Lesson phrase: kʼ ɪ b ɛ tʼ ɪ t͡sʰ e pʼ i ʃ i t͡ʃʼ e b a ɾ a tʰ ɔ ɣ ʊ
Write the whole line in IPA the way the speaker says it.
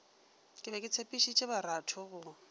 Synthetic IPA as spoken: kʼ ɪ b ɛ kʼ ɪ t͡sʰ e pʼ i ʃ i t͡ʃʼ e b a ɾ a tʰ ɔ ɣ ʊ